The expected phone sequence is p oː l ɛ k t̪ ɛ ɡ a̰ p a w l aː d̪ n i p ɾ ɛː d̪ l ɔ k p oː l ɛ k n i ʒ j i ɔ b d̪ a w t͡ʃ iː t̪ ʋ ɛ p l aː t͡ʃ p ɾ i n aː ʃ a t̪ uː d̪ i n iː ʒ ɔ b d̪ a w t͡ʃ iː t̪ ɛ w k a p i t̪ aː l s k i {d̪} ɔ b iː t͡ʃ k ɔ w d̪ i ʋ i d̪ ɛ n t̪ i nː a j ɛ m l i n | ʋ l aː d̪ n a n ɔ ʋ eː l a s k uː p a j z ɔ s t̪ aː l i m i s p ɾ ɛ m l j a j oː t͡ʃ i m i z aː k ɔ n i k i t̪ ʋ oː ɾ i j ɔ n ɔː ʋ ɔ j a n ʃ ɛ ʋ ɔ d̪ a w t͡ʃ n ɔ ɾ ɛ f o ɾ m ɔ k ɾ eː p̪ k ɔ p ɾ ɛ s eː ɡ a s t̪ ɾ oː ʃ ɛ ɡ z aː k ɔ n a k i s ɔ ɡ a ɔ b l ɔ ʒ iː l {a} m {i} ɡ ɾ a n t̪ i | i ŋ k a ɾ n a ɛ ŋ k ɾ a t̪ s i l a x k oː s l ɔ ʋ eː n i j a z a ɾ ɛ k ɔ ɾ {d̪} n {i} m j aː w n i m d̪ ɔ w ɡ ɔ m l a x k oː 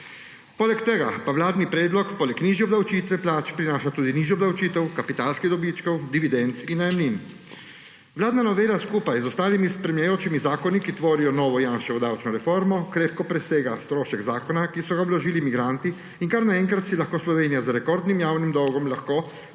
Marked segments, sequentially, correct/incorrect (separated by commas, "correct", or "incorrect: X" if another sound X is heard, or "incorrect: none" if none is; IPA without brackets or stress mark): correct, incorrect: i, correct, correct, correct